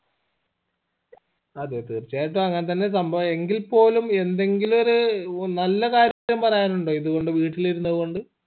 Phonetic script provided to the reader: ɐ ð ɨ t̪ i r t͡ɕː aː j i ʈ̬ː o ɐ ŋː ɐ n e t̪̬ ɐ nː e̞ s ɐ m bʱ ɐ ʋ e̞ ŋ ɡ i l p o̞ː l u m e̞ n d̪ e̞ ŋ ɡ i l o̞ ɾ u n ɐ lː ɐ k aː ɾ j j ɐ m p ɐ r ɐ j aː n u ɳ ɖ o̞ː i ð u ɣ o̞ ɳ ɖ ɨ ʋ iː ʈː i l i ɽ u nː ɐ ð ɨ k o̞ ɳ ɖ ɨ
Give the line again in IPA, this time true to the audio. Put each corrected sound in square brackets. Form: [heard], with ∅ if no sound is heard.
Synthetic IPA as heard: ɐ ð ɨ t̪ i r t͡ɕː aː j i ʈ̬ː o ɐ ŋː ɐ n e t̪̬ ɐ nː e̞ s ɐ m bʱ ɐ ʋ e̞ ŋ ɡ i l p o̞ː l u m e̞ n d̪ e̞ ŋ ɡ i l o̞ ɾ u n ɐ lː ɐ k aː ɾ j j ɐ m p ɐ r ɐ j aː n u ɳ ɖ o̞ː i ð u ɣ o̞ ɳ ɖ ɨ ʋ iː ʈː i l i [ɾ] u nː ɐ ð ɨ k o̞ ɳ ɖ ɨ

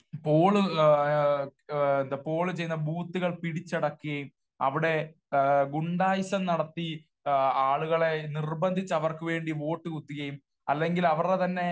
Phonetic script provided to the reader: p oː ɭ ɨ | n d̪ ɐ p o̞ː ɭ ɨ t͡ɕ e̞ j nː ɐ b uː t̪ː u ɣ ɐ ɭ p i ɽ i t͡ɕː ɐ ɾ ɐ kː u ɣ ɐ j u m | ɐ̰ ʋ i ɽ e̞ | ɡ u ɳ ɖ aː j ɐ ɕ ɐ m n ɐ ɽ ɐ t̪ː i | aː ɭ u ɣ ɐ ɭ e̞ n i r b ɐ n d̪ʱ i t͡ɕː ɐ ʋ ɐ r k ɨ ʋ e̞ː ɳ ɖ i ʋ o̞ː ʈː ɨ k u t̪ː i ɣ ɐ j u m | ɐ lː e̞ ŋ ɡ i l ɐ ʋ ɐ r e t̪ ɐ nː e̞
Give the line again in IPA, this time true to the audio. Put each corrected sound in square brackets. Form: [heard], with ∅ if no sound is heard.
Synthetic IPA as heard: p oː ɭ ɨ | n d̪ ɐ p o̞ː ɭ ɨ t͡ɕ e̞ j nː ɐ b uː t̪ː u ɣ ɐ ɭ p i ɽ i t͡ɕː ɐ [ɽ] ɐ kː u ɣ ɐ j u m | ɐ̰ ʋ i ɽ e̞ | ɡ u ɳ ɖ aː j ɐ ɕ ɐ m n ɐ ɽ ɐ t̪ː i | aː ɭ u ɣ ɐ ɭ e̞ n i r b ɐ n d̪ʱ i t͡ɕː ɐ ʋ ɐ r k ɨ ʋ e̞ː ɳ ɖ i ʋ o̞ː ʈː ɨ k u t̪ː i ɣ ɐ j u m | ɐ lː e̞ ŋ ɡ i l ɐ ʋ ɐ r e t̪ ɐ nː e̞

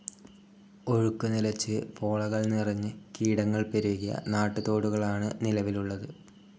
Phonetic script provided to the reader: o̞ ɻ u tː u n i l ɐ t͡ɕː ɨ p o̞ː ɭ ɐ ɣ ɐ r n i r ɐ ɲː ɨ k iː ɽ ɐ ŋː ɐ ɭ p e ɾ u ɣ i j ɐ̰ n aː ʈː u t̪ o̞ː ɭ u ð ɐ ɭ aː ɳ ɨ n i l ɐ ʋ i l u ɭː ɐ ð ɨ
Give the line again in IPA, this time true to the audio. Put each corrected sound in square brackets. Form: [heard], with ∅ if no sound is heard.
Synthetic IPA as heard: o̞ ɻ u [kː] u n i l ɐ t͡ɕː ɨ p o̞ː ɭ ɐ ɣ ɐ [ɭ] n i r ɐ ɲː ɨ k iː ɽ ɐ ŋː ɐ ɭ p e ɾ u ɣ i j ɐ̰ n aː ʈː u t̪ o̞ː [ɽ] u [ɣ] ɐ ɭ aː ɳ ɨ n i l ɐ ʋ i l u ɭː ɐ ð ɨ

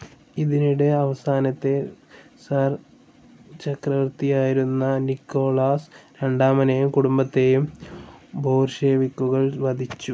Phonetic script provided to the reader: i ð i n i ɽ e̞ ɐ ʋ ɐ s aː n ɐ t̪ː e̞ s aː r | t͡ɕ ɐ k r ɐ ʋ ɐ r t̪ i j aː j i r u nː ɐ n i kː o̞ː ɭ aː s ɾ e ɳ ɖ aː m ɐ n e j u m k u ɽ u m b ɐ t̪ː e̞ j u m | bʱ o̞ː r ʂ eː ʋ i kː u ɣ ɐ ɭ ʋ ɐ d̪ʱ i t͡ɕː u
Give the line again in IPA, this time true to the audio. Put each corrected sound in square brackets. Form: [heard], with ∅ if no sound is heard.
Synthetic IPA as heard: i ð i n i ɽ e̞ ɐ ʋ ɐ s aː n ɐ t̪ː e̞ s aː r | t͡ɕ ɐ k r ɐ ʋ ɐ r t̪ i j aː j i [ɾ] u nː ɐ n i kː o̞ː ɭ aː s ɾ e ɳ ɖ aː m ɐ n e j u m k u ɽ u m b ɐ t̪ː e̞ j u m | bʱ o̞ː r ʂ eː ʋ i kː u ɣ ɐ ɭ ʋ ɐ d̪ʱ i t͡ɕː u

